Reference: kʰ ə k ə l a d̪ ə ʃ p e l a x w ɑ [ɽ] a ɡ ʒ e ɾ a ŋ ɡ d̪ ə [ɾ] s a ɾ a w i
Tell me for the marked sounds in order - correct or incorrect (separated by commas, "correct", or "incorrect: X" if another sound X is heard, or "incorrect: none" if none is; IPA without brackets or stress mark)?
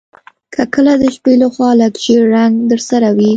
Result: incorrect: l, correct